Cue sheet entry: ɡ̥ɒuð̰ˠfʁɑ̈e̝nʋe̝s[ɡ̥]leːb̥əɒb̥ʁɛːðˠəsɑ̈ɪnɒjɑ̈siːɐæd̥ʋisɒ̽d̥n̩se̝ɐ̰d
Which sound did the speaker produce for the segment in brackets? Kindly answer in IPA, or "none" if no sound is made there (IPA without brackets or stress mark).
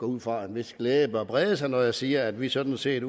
ɡ̥